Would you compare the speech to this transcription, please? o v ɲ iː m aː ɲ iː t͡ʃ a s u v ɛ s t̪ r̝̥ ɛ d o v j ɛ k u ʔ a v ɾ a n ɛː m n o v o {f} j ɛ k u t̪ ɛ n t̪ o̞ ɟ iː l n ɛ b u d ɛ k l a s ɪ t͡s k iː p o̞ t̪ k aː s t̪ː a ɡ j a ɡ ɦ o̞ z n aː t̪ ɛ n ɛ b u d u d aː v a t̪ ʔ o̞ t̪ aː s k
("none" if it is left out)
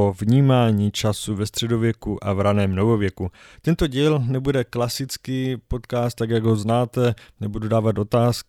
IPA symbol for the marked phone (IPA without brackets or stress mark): v